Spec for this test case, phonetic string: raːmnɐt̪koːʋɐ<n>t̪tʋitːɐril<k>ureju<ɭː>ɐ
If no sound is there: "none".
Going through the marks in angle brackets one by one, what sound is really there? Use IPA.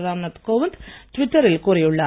n, k, ɭː

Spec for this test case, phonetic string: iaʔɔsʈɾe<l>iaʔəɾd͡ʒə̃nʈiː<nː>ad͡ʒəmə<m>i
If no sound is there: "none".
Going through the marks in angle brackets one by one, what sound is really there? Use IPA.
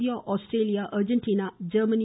l, n, n

